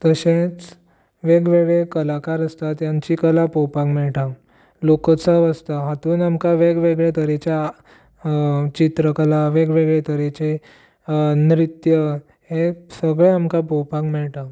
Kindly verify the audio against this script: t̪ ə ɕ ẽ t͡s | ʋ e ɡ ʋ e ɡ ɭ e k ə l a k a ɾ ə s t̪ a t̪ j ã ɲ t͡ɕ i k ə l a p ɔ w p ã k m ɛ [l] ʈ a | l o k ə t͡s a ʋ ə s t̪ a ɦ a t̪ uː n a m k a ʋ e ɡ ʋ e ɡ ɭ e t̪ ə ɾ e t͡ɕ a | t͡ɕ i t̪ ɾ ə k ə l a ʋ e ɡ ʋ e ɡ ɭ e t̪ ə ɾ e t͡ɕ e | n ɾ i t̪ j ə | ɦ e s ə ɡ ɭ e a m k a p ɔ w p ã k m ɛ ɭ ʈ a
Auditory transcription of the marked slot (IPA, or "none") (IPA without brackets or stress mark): ɭ